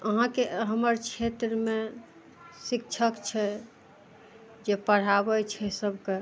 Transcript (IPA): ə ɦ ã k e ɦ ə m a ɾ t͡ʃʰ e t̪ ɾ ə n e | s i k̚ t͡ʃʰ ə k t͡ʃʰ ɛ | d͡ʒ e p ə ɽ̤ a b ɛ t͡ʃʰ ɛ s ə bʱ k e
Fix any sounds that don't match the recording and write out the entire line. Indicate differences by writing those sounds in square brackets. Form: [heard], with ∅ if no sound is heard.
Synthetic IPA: ə ɦ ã k e ɦ ə m [ə] ɾ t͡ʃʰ e t̪ ɾ ə [m] e | s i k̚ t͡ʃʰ ə k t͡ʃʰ ɛ | d͡ʒ e p ə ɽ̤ a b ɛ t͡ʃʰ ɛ s ə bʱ k e